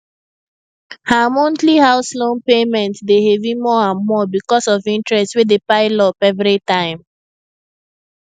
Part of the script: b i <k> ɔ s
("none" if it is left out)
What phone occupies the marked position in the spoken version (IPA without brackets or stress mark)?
k